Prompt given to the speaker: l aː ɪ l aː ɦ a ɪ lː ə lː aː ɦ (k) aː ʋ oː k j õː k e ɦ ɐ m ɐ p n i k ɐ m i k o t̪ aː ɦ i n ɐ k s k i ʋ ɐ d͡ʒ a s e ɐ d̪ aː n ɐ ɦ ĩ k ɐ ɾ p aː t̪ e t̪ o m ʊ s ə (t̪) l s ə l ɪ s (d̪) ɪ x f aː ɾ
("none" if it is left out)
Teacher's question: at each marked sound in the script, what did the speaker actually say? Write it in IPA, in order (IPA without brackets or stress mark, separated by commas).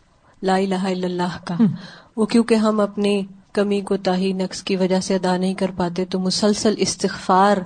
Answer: k, none, t̪